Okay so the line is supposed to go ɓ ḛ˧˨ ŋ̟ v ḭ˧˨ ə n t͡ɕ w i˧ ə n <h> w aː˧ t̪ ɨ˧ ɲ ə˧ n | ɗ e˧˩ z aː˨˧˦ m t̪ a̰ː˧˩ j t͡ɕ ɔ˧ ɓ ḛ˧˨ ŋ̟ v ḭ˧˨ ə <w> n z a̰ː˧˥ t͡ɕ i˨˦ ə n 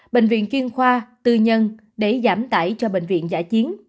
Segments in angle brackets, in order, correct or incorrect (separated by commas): incorrect, incorrect